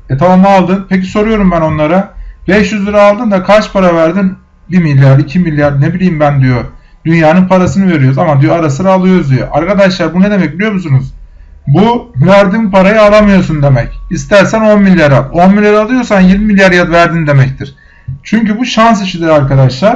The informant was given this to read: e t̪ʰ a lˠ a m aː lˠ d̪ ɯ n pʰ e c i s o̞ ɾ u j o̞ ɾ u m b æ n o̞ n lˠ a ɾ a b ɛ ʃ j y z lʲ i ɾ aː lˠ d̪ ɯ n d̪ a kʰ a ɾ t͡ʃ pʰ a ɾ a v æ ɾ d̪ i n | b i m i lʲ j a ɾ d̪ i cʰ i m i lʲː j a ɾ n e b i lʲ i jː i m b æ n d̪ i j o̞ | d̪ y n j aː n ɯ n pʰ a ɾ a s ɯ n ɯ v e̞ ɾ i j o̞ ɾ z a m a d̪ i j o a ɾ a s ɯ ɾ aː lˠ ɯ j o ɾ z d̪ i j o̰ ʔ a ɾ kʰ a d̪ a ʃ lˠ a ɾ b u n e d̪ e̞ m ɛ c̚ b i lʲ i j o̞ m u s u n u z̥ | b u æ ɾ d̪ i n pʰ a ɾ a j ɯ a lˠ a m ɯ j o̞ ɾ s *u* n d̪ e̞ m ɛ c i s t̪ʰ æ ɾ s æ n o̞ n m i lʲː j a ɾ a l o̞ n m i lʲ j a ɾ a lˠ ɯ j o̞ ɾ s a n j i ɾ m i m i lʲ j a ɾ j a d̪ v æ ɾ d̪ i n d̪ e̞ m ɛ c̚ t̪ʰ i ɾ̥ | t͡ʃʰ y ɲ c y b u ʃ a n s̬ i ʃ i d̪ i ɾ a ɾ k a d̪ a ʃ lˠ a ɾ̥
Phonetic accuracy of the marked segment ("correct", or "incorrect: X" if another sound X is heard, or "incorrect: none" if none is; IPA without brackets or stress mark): correct